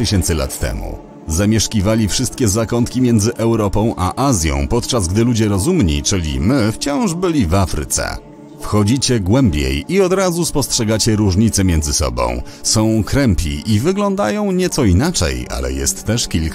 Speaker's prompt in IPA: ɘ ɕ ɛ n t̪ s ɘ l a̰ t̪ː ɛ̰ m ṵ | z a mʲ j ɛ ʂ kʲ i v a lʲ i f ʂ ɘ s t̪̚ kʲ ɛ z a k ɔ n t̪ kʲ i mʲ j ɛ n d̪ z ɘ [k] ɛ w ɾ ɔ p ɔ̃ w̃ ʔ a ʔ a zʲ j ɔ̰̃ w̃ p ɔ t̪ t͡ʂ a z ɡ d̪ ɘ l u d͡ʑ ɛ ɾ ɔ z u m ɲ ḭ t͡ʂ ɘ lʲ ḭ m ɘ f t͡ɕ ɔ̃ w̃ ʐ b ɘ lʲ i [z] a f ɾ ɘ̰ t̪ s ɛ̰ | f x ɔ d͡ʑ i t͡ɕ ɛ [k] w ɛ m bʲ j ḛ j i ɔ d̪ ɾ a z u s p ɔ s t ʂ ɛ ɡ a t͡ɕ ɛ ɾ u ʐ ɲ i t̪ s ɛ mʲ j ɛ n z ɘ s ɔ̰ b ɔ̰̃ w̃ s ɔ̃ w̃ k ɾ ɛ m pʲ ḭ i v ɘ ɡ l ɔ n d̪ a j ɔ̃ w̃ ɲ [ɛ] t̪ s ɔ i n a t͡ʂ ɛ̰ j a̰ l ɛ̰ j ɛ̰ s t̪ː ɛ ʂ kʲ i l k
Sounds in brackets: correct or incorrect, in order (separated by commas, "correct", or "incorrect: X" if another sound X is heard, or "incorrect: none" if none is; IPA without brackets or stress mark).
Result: incorrect: ʔ, incorrect: v, incorrect: ɡ, correct